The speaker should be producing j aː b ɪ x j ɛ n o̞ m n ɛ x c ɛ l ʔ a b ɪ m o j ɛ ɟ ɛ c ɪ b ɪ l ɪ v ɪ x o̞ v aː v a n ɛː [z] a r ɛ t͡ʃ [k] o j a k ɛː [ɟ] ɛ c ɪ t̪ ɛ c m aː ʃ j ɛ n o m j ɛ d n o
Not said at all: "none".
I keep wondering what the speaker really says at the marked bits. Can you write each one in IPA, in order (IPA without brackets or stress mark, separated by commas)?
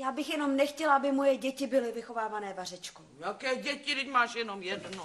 v, k, ɟ